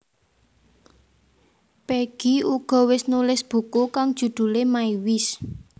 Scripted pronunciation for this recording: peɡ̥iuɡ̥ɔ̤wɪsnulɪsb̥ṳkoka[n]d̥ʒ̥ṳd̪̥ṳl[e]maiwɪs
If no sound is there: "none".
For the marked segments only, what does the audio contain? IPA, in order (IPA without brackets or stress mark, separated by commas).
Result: ŋ, e